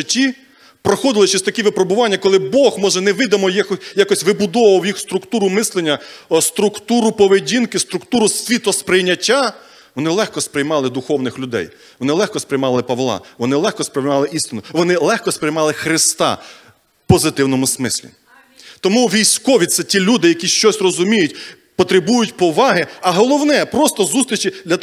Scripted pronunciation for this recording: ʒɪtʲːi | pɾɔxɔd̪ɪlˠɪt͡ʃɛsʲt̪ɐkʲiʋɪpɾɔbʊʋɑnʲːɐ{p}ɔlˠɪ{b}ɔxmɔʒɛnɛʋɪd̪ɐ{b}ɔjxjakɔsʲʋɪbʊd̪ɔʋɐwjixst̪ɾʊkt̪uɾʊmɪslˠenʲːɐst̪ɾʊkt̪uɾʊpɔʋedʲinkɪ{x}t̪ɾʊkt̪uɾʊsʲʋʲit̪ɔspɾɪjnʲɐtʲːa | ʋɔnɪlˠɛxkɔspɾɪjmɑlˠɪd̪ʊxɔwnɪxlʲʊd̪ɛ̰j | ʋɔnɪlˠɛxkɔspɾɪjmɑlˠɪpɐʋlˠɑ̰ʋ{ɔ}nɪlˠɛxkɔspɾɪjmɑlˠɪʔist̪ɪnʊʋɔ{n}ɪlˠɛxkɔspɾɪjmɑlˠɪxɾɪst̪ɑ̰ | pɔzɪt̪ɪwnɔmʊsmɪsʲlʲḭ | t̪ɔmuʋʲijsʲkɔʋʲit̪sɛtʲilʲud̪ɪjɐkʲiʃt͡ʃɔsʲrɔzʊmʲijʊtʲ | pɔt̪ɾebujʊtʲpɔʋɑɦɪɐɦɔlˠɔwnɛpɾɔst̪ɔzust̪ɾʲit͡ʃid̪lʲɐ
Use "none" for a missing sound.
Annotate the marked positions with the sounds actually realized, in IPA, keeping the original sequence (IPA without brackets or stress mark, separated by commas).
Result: k, b, m, s, ɔ, n